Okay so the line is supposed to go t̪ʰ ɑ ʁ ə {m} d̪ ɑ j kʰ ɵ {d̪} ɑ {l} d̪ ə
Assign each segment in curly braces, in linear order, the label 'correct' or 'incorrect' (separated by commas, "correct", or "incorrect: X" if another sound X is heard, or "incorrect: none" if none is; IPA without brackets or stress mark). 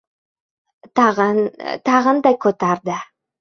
incorrect: n, incorrect: t̪, incorrect: ɾ